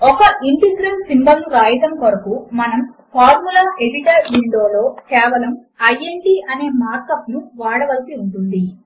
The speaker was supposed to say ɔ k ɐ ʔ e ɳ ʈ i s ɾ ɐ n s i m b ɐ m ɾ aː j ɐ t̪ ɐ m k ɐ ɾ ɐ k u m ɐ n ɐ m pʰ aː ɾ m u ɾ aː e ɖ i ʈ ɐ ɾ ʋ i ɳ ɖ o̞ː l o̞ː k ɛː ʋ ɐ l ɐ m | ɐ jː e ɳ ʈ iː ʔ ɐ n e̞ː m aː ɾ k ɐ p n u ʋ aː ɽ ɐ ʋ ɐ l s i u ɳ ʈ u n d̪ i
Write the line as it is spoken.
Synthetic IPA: ɔ k ɐ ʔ i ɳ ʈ i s ɾ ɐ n s i m b ɐ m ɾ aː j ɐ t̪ ɐ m k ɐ ɾ ɐ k u m ɐ n ɐ m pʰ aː ɾ m u l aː e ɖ i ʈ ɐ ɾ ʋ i ɳ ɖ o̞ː l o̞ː k ɛː ʋ ɐ l ɐ m | ɐ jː e ɳ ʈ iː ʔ ɐ n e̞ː m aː ɾ k ɐ p n u ʋ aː ɽ ɐ ʋ ɐ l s i u ɳ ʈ u n d̪ i